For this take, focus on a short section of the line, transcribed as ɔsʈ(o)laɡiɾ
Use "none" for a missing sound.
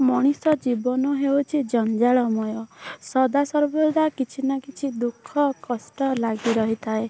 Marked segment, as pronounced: ɔ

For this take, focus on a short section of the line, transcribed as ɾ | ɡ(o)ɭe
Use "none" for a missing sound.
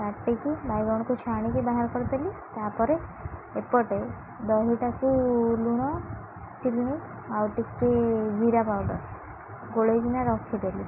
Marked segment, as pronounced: o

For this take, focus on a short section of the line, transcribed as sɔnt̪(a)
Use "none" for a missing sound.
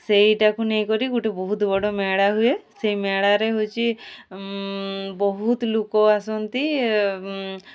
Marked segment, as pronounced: i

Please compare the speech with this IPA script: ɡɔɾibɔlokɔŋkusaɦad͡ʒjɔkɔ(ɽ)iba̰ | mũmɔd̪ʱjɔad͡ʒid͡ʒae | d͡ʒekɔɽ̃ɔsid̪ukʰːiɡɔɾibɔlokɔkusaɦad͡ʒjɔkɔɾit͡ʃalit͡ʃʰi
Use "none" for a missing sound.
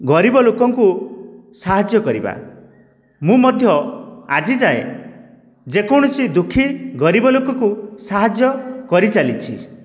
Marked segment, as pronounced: ɾ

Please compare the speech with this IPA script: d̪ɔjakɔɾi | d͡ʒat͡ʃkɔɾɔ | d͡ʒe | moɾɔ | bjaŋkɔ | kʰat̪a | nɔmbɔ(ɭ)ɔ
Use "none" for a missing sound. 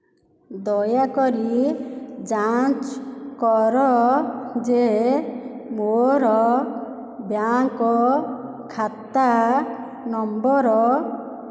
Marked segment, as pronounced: ɾ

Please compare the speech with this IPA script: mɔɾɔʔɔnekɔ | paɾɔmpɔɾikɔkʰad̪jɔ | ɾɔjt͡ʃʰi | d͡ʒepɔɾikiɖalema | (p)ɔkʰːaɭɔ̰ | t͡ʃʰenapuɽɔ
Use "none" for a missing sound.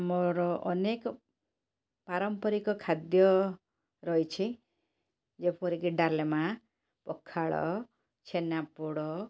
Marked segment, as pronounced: p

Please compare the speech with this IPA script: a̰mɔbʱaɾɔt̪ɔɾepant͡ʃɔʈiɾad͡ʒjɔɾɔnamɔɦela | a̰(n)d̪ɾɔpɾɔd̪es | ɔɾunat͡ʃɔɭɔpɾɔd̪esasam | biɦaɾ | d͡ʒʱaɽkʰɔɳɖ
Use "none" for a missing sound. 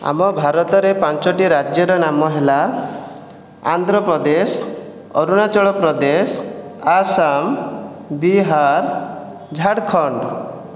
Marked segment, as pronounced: n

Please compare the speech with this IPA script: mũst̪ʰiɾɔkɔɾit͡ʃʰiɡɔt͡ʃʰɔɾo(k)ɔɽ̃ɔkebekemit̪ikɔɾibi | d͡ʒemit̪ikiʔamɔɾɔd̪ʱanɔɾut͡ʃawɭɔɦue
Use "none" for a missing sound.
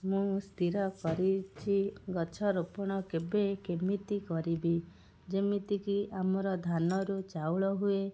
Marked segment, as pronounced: p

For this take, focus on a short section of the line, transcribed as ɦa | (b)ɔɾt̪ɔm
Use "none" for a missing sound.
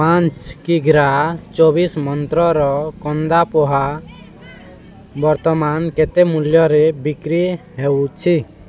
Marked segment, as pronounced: b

